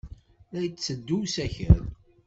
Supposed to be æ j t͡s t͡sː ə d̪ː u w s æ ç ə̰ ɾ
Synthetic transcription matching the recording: æ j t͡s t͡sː ə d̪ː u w s æ ç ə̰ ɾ